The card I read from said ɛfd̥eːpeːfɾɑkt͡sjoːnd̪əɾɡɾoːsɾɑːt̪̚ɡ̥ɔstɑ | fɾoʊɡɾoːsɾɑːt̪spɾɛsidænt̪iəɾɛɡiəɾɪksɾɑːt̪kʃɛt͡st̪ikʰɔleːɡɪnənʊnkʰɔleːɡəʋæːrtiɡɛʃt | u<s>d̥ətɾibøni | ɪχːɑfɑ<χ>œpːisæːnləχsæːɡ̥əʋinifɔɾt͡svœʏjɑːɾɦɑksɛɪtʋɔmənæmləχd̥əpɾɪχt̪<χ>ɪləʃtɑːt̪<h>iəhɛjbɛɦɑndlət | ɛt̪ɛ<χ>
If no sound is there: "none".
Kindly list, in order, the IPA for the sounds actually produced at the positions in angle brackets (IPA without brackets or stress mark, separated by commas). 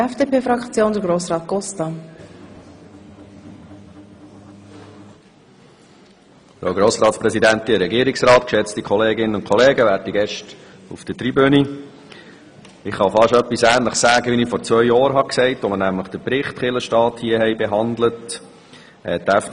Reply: f, ʃ, χ, h, f